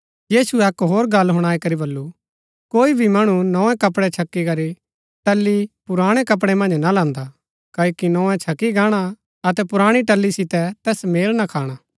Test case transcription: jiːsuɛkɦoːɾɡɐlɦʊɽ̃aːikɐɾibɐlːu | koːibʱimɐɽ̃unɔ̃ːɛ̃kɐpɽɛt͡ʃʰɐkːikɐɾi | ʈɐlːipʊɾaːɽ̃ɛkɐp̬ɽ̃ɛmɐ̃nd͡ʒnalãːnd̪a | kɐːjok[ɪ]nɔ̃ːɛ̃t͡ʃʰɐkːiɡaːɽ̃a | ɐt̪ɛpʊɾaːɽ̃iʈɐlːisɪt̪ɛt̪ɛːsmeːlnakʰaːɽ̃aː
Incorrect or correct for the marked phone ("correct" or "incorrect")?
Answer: incorrect